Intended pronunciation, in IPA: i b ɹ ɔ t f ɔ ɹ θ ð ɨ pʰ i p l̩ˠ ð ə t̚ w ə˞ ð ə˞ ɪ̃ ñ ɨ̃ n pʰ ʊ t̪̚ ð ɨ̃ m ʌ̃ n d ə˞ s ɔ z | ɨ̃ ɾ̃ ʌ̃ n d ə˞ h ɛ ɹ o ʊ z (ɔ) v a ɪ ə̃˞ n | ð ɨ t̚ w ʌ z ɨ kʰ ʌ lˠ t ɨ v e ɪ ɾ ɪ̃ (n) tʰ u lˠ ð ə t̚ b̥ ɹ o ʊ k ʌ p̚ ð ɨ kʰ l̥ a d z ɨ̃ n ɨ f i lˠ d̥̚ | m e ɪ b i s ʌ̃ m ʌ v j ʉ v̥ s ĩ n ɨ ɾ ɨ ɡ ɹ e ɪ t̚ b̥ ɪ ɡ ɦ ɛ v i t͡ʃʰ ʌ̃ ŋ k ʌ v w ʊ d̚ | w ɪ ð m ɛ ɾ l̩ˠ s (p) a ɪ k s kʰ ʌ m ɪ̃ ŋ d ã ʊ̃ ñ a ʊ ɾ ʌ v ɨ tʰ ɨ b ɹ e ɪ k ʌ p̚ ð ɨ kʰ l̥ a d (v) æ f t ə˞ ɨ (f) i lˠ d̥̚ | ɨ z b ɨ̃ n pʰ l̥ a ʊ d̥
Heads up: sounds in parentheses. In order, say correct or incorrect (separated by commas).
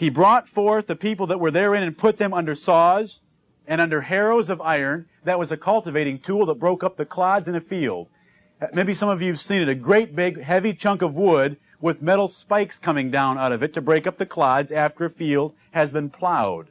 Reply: incorrect, incorrect, correct, incorrect, correct